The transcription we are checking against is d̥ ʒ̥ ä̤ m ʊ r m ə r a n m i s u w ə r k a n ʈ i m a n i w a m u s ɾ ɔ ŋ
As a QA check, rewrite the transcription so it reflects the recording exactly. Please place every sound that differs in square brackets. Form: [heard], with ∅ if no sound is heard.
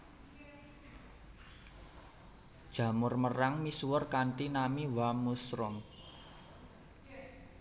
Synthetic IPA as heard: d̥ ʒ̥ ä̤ m ʊ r m ə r a [ŋ] m i s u w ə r k a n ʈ i [n] a [m] i w a m u s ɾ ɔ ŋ